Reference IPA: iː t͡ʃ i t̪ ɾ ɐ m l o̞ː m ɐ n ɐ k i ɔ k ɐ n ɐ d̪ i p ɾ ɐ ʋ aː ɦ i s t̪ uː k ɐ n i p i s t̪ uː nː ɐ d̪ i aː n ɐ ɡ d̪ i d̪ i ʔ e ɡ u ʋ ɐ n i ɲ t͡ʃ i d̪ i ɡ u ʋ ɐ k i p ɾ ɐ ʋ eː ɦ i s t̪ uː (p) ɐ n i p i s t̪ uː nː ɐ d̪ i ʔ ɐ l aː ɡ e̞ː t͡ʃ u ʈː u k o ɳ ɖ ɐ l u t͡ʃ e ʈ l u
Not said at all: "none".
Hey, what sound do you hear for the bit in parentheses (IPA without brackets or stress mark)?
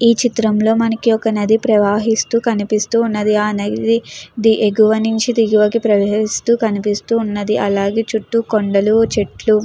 k